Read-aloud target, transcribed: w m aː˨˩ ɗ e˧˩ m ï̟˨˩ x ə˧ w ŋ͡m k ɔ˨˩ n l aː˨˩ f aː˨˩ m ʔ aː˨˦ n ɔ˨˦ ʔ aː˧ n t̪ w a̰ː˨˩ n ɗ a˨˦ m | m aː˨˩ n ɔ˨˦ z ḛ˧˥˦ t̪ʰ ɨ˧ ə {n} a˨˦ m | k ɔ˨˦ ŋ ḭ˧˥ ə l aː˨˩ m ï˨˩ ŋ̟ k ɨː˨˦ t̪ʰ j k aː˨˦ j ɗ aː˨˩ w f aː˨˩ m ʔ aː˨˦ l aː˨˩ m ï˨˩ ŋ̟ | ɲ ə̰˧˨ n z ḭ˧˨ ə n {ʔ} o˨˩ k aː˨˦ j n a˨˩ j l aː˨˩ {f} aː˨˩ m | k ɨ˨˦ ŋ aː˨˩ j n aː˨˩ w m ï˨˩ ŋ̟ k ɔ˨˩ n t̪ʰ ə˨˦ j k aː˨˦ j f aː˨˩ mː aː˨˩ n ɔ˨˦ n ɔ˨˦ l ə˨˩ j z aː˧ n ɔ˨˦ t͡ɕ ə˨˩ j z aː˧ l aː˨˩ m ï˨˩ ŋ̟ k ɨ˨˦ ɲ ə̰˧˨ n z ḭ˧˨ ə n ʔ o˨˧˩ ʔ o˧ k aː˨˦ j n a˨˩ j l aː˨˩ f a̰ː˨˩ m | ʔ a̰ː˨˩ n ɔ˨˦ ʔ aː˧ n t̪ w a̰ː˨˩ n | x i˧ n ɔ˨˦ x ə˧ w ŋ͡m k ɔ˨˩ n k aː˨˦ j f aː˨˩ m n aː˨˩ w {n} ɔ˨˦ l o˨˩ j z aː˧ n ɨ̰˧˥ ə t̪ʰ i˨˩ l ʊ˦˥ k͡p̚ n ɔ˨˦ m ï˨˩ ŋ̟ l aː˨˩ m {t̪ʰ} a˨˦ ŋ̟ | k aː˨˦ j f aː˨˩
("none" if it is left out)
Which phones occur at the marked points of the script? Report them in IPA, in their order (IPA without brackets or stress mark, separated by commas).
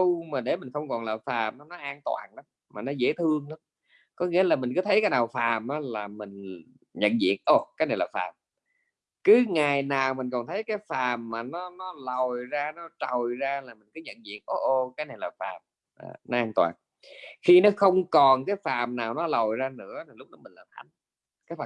ŋ, ʔ, f, n, t̪ʰ